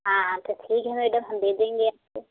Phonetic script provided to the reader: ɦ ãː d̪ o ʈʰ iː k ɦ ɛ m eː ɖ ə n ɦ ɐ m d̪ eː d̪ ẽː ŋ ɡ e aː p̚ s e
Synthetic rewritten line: ɦ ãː t̪ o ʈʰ iː k ɦ ɛ m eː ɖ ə m ɦ ɐ m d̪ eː d̪ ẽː ŋ ɡ e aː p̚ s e